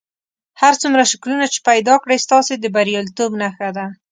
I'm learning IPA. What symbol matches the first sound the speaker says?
h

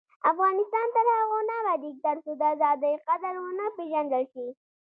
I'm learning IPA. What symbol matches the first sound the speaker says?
a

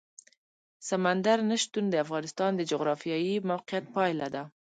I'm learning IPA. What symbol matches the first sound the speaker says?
s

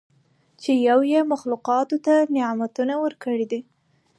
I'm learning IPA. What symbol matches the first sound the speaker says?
t͡ʃ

